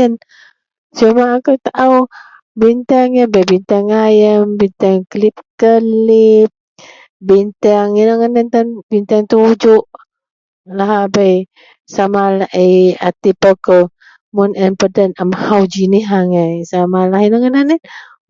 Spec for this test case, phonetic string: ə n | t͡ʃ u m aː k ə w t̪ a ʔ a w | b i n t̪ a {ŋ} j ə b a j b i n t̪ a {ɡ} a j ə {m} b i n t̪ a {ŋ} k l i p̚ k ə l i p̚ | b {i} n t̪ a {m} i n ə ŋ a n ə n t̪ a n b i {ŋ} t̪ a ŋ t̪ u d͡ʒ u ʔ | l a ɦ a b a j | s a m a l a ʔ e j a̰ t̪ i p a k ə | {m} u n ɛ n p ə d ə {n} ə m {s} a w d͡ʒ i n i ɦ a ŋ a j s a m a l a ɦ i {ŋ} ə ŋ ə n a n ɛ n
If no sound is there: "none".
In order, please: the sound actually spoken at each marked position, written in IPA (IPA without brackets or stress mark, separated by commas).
ŋ, ŋ, m, ŋ, i, ŋ, n, m, n, h, n